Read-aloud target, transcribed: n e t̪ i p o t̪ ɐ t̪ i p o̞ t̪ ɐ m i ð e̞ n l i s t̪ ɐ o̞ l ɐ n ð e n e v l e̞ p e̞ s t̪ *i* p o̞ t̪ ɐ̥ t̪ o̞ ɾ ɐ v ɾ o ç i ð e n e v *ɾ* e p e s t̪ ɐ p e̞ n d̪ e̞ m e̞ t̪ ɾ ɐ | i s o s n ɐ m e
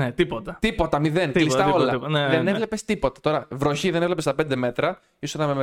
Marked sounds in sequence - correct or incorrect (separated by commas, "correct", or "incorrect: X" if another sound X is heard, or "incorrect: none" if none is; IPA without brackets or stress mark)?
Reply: correct, incorrect: l